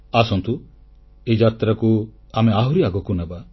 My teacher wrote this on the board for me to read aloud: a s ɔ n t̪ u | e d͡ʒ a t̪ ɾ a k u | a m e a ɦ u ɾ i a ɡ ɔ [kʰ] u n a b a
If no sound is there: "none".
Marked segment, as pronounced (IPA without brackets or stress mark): k